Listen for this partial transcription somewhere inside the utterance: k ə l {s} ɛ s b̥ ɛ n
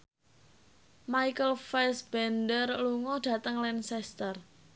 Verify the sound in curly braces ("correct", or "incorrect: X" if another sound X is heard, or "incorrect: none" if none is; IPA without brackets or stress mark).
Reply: incorrect: f